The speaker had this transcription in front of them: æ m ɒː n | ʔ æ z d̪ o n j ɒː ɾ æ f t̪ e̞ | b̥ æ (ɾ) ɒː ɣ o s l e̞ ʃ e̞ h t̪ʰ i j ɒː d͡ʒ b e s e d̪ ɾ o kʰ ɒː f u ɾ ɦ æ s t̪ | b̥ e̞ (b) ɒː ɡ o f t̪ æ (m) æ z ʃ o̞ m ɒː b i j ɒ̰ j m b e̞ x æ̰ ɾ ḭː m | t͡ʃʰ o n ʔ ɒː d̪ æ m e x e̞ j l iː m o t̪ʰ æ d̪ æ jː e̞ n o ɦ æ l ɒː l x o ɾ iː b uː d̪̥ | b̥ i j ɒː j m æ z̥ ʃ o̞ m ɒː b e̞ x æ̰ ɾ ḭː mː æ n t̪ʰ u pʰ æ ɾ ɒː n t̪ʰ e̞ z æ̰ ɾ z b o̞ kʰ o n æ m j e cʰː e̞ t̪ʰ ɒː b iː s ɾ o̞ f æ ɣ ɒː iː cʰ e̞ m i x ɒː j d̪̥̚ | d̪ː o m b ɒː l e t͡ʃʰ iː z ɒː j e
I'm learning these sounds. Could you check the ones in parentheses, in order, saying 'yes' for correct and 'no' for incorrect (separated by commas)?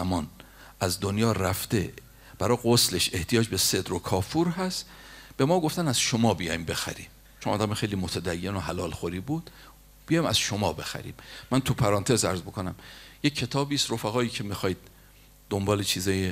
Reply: yes, no, no